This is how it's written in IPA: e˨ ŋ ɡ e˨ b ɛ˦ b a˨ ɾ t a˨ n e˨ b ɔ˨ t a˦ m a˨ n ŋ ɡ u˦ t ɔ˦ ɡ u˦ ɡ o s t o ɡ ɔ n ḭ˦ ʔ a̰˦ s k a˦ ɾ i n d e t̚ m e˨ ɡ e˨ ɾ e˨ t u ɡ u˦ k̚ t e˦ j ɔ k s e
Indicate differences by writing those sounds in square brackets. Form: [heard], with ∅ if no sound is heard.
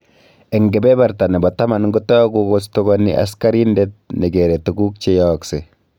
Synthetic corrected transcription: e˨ ŋ ɡ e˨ b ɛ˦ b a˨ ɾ t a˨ n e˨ b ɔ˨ t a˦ m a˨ n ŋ ɡ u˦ t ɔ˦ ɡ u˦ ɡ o s t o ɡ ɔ n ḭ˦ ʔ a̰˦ s k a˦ ɾ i n d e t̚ [n] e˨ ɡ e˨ ɾ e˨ t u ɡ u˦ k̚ [t͡ʃ] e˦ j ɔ k s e